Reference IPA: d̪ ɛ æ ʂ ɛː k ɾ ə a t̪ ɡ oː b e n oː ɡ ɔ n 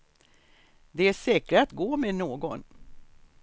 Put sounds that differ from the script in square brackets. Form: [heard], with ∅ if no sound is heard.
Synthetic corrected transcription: d̪ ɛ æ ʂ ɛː k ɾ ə a t̪ ɡ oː [m] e n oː ɡ ɔ n